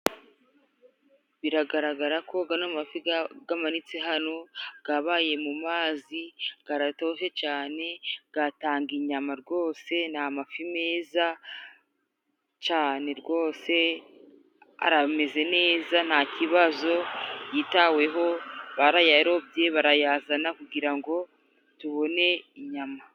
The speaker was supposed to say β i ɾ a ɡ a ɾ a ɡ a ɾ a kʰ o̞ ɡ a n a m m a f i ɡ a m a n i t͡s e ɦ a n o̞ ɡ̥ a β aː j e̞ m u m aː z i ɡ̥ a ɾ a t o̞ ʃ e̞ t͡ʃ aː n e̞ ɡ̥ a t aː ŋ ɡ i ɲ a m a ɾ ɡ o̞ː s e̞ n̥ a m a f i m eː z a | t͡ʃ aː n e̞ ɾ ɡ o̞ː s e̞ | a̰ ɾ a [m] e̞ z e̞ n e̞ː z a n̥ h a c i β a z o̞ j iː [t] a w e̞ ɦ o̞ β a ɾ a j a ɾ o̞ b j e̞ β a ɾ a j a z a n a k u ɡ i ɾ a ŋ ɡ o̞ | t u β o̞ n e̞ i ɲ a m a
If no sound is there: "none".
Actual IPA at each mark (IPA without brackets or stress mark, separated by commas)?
m, t